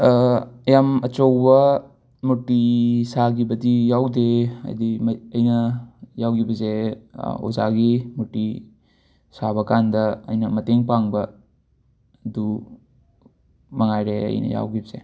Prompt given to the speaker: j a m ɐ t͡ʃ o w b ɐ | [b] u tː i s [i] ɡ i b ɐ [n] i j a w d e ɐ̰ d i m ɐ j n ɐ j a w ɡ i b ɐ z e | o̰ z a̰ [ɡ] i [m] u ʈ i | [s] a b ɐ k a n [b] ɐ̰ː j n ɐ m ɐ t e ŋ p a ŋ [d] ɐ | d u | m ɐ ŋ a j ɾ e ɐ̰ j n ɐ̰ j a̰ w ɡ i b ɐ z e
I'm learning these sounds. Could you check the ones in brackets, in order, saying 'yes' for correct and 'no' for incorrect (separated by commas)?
no, no, no, yes, yes, yes, no, no